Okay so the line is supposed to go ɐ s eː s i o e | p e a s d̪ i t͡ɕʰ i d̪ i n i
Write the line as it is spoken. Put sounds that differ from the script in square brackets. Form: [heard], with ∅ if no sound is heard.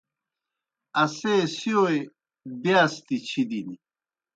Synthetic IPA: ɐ s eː s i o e | [b] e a s [t̪] i t͡ɕʰ i d̪ i n i